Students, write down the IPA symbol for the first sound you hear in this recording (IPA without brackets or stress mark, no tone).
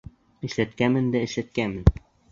ɘ̆